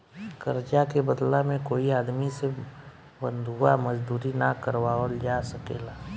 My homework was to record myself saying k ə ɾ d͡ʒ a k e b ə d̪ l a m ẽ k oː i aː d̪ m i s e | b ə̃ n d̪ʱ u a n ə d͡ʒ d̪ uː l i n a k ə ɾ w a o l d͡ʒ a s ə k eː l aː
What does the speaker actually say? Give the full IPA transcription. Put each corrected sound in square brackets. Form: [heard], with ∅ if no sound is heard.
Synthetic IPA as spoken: k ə ɾ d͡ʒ a k e b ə d̪ l a m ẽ k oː i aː d̪ m i s e | b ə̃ n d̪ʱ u a [m] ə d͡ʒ d̪ uː [ɾ] i n a k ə ɾ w a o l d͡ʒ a s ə k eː l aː